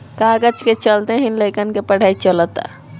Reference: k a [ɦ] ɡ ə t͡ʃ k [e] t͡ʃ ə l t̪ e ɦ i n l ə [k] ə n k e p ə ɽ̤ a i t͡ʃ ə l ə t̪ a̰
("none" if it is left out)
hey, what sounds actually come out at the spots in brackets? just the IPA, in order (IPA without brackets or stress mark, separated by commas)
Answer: none, e, k